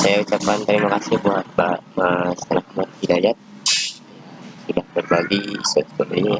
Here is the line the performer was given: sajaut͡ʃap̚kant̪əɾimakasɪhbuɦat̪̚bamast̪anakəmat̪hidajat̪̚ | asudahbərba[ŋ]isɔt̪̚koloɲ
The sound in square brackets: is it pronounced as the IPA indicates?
no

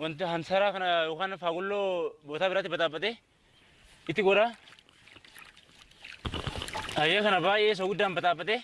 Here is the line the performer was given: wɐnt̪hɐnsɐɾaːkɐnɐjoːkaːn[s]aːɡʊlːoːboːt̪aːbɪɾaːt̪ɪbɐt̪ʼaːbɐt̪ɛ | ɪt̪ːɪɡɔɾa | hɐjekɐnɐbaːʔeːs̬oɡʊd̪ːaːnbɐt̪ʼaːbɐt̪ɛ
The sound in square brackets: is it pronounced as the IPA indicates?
no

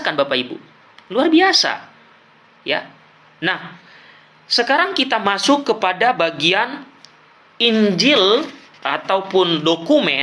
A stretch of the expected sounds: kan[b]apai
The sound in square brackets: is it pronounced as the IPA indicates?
yes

